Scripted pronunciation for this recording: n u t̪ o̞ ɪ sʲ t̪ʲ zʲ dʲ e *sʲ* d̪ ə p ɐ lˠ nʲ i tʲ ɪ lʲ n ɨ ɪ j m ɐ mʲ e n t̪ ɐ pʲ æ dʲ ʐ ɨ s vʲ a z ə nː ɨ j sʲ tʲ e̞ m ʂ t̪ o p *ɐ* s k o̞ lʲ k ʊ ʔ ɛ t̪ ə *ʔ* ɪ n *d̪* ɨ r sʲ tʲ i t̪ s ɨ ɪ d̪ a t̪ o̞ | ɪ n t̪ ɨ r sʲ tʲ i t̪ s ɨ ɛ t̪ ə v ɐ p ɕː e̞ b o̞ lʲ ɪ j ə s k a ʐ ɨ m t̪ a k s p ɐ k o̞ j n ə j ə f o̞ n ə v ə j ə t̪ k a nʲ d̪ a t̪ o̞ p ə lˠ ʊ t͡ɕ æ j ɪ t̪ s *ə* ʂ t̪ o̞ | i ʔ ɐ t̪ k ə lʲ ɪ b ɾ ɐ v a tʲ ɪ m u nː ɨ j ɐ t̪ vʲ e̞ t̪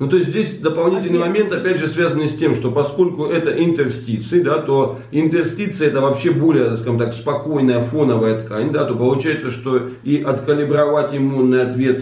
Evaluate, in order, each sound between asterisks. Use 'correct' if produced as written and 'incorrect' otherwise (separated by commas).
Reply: correct, correct, correct, incorrect, correct